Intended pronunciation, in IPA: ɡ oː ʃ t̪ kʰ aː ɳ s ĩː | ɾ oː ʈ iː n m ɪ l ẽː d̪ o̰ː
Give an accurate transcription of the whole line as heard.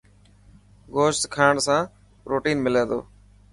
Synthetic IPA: ɡ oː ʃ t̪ kʰ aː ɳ s ãː | ɾ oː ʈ iː n m ɪ l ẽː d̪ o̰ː